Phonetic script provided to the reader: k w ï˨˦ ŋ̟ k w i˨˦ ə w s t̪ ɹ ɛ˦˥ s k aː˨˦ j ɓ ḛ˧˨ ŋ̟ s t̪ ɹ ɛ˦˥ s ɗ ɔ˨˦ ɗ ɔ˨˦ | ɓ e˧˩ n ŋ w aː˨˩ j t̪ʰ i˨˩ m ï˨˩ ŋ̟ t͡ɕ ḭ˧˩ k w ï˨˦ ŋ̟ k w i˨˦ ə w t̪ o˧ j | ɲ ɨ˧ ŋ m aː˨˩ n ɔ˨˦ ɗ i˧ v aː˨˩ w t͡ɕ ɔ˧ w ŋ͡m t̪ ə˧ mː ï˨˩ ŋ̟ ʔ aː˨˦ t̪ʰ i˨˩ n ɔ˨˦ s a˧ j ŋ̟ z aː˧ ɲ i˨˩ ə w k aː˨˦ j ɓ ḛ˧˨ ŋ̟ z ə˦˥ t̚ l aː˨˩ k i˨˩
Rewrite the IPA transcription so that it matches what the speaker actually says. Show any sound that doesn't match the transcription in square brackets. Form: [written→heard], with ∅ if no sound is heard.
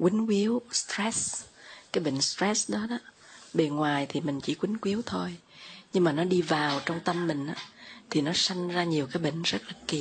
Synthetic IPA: k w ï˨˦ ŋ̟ k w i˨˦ ə w s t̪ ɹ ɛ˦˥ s k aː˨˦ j ɓ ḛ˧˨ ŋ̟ s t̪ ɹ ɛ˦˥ s ɗ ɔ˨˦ ɗ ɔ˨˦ | ɓ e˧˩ n ŋ w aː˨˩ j t̪ʰ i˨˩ m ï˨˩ ŋ̟ t͡ɕ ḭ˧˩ k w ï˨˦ ŋ̟ k w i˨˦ ə w [t̪→t̪ʰ] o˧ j | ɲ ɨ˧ ŋ m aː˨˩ n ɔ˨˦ ɗ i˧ v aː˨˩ w t͡ɕ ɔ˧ w ŋ͡m t̪ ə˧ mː ï˨˩ ŋ̟ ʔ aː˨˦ t̪ʰ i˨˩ n ɔ˨˦ s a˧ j ŋ̟ z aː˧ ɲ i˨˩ ə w k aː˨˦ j ɓ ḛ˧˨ ŋ̟ z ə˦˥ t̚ l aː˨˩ k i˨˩